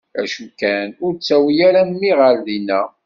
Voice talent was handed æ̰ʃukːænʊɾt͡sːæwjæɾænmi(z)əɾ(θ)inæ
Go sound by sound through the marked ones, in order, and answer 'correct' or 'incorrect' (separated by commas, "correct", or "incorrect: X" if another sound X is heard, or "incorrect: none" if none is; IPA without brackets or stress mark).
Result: incorrect: ʁ, incorrect: ð